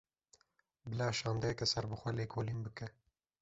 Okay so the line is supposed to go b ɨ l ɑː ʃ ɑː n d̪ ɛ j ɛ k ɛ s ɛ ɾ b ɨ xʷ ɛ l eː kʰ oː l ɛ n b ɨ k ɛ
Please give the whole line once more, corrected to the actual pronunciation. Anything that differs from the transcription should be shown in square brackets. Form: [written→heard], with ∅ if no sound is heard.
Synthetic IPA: b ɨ l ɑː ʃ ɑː n d̪ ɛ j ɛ k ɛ s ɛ ɾ b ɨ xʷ ɛ l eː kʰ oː l [ɛ→i] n b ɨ k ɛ